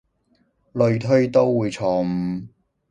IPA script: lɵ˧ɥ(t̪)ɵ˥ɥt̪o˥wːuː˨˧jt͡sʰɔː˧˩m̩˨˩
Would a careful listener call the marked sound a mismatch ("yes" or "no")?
yes